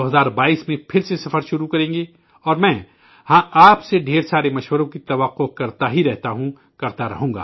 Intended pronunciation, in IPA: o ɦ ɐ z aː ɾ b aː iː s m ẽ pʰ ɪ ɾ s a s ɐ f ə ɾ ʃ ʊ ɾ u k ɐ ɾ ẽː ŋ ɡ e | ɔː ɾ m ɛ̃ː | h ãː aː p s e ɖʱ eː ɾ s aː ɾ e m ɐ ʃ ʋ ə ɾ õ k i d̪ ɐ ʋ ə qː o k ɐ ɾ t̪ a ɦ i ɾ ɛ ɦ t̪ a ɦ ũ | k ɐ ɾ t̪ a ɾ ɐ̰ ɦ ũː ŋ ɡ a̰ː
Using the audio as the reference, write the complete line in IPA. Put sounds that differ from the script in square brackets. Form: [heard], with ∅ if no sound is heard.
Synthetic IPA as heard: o ɦ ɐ z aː ɾ b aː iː s m ẽ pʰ ɪ ɾ s [e] s ɐ f ə ɾ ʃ ʊ ɾ u k ɐ ɾ ẽː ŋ ɡ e | ɔː ɾ m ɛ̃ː | h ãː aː p s e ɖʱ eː ɾ s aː ɾ e m ɐ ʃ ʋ ə ɾ õ k i [t̪] ɐ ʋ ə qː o k ɐ ɾ t̪ a ɦ i ɾ ɛ ɦ t̪ a ɦ ũ | k ɐ ɾ t̪ a ɾ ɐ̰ ɦ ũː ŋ ɡ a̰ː